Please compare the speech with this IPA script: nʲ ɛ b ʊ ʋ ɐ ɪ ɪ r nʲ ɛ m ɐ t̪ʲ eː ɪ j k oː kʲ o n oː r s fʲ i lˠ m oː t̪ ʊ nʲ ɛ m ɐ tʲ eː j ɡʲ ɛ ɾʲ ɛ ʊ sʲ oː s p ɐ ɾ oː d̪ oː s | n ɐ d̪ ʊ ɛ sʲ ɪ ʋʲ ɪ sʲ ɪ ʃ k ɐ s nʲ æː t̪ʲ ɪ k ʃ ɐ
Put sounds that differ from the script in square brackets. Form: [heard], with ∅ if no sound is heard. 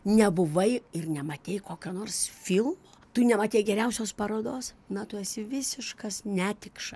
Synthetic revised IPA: nʲ ɛ b ʊ ʋ ɐ ɪ ɪ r nʲ ɛ m ɐ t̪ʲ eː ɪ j k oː kʲ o n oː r s fʲ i lˠ m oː t̪ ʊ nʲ ɛ m ɐ tʲ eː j ɡʲ ɛ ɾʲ ɛ ʊ sʲ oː s p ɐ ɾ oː d̪ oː s | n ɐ [t̪] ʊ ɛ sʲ ɪ ʋʲ ɪ sʲ ɪ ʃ k ɐ s nʲ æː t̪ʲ ɪ k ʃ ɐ